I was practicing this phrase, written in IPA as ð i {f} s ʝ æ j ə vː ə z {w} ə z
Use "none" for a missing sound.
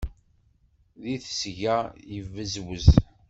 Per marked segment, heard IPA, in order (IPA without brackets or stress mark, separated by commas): θ, w